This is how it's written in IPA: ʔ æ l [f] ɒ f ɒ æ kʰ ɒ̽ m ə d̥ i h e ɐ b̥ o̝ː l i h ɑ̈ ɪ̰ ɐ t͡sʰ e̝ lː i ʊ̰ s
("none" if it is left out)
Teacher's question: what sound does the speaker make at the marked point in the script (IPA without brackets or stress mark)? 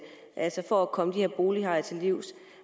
s